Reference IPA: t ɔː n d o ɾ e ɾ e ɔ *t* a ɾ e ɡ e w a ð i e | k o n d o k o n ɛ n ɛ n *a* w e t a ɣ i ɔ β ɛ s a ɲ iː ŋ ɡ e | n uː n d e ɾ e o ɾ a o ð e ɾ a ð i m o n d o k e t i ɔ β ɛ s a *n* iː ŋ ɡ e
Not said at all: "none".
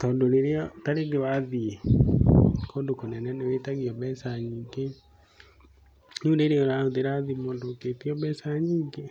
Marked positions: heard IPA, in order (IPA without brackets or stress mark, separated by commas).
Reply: t, e, ɲ